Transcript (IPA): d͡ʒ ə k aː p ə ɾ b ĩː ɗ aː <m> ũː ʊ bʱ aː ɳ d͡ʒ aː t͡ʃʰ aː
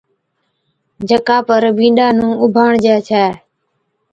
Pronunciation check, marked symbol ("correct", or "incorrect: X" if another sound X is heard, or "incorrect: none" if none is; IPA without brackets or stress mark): incorrect: n